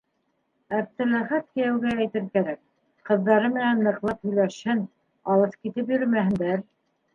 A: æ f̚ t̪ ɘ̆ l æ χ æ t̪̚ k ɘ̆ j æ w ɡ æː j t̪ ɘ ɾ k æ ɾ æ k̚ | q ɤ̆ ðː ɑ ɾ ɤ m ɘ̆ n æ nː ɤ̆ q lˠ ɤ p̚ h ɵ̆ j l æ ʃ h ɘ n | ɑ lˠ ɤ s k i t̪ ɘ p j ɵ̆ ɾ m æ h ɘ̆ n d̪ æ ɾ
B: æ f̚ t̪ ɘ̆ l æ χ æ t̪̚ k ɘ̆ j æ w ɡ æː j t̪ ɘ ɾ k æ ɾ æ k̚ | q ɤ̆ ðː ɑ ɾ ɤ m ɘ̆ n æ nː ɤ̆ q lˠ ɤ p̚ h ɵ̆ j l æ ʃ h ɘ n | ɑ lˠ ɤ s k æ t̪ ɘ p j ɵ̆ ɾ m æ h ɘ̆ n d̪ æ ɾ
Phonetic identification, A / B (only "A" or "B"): A